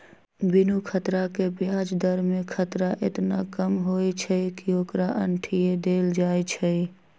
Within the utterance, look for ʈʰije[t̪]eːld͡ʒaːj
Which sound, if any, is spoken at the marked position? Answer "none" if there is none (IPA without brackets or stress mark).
d̪